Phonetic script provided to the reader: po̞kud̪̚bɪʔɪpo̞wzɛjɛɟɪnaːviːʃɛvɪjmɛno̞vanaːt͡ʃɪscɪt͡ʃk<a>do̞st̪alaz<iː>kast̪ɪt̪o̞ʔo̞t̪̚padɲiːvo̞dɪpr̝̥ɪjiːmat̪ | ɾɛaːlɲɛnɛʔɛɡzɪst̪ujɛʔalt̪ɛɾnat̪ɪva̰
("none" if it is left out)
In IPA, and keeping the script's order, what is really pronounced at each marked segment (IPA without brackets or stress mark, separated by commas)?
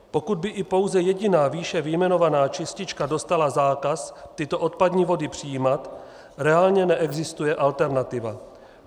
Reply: a, aː